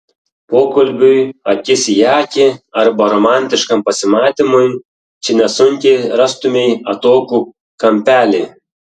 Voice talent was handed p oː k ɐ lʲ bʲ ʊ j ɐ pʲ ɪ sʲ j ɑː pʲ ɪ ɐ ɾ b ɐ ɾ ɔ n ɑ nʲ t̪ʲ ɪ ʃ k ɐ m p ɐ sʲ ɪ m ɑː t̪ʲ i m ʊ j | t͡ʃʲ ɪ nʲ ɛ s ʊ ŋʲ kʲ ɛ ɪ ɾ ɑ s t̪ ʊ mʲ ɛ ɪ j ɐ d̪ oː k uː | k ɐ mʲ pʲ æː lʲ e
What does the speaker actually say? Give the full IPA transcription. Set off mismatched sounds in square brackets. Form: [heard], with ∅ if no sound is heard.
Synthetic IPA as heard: p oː k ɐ lʲ bʲ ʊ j ɐ [kʲ] ɪ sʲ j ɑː [kʲ] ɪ ɐ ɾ b ɐ ɾ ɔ [m] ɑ nʲ t̪ʲ ɪ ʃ k ɐ m p ɐ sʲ ɪ m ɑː t̪ʲ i m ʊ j | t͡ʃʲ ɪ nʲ ɛ s ʊ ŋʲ kʲ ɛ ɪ ɾ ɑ s t̪ ʊ mʲ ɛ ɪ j ɐ [t̪] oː k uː | k ɐ mʲ pʲ æː lʲ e